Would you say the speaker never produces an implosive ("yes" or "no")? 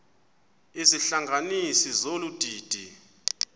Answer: yes